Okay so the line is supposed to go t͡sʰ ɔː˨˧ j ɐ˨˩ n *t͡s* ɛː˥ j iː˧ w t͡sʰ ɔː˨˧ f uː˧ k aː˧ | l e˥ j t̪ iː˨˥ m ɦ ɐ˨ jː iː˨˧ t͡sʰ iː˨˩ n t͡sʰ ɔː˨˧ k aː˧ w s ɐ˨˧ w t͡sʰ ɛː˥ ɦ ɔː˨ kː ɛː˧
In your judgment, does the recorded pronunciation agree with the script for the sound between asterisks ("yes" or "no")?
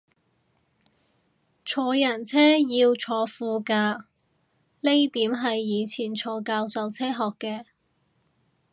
no